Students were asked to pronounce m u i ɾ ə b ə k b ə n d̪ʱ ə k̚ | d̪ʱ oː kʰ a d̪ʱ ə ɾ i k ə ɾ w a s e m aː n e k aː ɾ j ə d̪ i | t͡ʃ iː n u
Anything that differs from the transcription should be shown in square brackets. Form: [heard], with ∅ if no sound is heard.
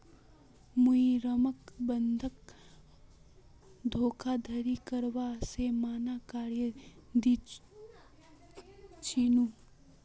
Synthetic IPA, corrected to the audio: m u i ɾ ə [m] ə k b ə n d̪ʱ ə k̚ | d̪ʱ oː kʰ a d̪ʱ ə ɾ i k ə ɾ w a s e m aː n [a] k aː ɾ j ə d̪ i | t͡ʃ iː n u